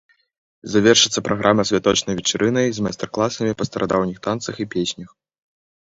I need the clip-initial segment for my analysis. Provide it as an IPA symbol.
z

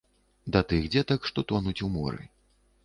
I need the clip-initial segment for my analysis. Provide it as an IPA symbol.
d̪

